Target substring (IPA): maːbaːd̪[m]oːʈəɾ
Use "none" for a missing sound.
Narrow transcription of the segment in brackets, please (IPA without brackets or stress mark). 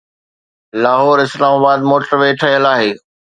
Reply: m